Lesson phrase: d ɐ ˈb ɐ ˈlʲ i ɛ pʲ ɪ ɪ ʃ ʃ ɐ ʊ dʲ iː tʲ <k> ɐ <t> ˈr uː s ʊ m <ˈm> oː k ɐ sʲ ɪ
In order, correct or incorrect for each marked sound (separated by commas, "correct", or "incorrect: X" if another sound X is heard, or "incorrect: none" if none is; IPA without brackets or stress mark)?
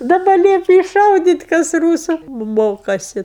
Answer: correct, incorrect: s, correct